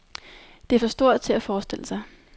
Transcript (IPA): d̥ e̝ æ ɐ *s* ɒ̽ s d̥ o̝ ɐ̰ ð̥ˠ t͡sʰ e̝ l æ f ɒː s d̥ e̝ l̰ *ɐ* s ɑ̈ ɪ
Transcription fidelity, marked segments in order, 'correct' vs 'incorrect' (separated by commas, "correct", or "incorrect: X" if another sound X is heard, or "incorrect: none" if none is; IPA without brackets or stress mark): incorrect: f, incorrect: ə